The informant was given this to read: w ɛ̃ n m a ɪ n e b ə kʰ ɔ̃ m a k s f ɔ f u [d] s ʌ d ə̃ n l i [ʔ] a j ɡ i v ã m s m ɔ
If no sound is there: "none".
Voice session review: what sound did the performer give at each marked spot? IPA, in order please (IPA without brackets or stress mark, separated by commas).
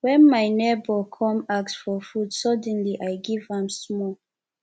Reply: d, ʔ